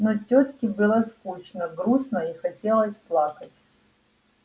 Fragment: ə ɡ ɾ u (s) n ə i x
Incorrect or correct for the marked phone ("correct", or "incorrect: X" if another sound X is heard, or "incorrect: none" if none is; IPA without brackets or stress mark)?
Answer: correct